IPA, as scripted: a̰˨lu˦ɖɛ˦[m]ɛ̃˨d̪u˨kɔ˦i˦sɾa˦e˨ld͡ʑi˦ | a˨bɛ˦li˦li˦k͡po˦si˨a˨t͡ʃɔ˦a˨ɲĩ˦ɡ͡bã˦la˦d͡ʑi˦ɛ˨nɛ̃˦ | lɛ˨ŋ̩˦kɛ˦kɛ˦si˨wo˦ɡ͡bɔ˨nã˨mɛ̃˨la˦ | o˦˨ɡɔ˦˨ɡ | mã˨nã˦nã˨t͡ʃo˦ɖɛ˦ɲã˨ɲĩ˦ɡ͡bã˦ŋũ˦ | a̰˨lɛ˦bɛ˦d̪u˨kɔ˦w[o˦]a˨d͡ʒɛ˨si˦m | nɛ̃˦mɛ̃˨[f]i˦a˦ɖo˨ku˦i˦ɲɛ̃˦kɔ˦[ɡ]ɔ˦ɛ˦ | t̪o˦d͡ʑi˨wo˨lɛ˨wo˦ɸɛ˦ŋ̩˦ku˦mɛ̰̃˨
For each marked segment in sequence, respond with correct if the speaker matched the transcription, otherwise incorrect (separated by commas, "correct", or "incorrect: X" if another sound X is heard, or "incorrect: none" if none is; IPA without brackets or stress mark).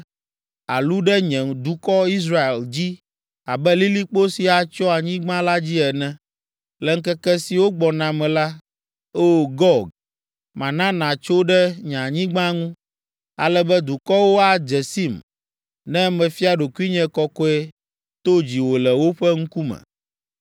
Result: incorrect: ɲ, correct, correct, incorrect: k